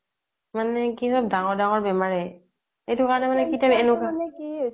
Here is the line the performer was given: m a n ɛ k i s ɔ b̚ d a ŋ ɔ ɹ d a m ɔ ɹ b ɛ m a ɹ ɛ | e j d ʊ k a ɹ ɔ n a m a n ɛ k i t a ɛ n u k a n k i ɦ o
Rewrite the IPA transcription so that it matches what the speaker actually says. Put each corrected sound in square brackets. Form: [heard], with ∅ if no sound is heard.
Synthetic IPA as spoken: m a n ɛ k i s ɔ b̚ d a ŋ ɔ ɹ d a [ŋ] ɔ ɹ b ɛ m a ɹ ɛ | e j [t] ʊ k a ɹ ɔ n [ɛ] m a n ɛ k i t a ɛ n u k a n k i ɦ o